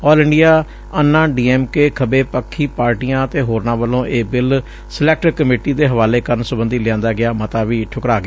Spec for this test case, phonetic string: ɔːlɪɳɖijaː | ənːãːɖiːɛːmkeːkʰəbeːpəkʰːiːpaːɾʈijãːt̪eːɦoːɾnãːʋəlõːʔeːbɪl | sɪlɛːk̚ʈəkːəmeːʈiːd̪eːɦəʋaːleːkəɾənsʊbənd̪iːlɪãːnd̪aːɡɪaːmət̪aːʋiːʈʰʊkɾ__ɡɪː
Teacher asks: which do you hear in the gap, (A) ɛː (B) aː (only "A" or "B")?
B